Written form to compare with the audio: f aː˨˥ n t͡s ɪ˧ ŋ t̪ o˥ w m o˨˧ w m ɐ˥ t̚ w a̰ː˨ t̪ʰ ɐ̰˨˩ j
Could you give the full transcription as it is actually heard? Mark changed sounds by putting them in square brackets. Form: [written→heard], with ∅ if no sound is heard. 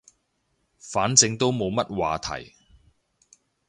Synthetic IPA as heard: f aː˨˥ n t͡s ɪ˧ ŋ t̪ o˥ w m o˨˧ w m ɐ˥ t̚ w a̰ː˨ t̪ʰ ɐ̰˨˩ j